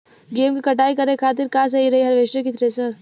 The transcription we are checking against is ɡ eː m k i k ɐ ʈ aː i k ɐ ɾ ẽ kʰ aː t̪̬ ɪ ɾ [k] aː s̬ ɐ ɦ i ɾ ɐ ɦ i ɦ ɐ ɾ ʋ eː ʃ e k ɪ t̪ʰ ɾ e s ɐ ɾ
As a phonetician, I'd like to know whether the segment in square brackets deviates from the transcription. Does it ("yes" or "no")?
no